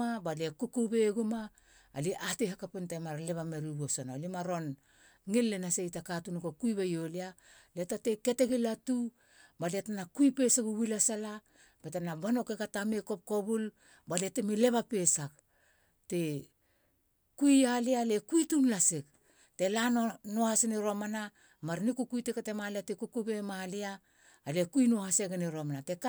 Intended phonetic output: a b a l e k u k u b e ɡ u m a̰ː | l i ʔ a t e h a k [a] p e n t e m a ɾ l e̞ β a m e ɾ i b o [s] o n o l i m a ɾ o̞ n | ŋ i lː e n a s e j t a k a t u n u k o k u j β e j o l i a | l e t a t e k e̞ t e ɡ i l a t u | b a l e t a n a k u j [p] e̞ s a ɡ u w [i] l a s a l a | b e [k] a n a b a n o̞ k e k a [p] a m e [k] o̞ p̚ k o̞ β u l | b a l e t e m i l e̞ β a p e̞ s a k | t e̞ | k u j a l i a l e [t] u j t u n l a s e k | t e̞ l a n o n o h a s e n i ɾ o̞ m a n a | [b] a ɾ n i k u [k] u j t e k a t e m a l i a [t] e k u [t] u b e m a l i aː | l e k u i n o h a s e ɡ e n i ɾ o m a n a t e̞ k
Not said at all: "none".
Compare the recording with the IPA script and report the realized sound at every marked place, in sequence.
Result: a, s, p, i, t, t, k, k, m, k, t, k

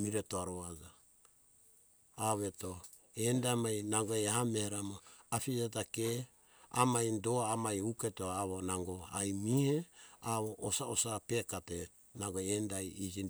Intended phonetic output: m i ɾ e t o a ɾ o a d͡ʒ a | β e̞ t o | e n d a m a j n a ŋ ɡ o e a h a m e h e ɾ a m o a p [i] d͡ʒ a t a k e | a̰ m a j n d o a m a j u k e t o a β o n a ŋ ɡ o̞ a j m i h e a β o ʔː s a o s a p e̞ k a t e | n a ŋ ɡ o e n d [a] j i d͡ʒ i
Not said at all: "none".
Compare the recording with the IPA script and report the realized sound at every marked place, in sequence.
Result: i, a

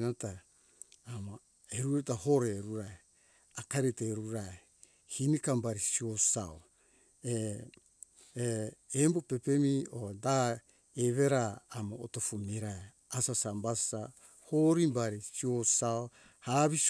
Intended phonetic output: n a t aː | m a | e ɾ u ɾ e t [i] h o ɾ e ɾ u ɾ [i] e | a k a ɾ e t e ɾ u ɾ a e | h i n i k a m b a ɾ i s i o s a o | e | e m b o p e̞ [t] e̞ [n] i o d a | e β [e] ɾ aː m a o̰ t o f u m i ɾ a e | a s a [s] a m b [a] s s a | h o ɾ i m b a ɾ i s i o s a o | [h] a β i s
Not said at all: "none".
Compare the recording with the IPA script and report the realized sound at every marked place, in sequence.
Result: a, a, p, m, e, s, a, h

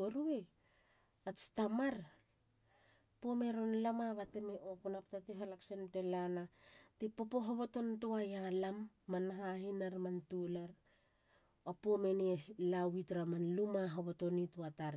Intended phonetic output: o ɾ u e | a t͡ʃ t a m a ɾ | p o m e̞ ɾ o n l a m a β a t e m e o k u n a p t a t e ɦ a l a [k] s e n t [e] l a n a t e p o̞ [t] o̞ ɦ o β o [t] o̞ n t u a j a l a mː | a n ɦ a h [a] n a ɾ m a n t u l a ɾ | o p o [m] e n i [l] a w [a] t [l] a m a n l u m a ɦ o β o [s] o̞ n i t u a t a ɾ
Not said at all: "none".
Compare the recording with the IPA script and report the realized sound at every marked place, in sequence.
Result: k, e, p, t, i, m, l, i, ɾ, t

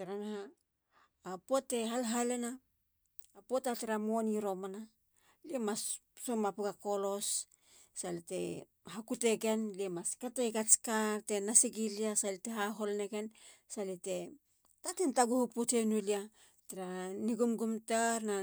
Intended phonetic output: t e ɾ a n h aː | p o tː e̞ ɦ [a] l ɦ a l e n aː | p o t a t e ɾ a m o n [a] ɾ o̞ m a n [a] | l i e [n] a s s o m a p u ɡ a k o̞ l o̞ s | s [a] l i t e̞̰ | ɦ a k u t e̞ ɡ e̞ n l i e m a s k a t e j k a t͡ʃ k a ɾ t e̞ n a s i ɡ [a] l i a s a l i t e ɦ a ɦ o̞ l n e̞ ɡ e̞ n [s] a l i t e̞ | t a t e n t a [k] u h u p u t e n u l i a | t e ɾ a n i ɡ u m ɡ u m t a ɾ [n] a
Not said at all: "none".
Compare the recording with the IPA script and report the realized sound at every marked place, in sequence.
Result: a, i, a, m, a, i, s, ɡ, n

